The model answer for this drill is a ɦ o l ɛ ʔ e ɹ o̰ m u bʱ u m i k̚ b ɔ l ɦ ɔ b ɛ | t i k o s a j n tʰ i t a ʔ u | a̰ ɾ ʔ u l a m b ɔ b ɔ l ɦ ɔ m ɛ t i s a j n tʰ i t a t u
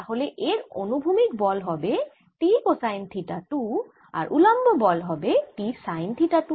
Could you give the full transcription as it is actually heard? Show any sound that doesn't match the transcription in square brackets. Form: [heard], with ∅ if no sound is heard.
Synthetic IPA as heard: a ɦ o l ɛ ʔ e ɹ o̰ [n] u bʱ u m i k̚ b ɔ l ɦ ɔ b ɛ | t i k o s a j n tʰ i t a [t] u | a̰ [ɹ] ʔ u l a m b ɔ b ɔ l ɦ ɔ [b] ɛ t i s a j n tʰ i t a t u